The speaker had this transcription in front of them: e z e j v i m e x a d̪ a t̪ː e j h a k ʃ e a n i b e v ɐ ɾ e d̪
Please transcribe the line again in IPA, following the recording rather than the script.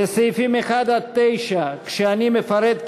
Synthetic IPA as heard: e s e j f i m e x a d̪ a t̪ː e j ʃ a k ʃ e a n i m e f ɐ ɾ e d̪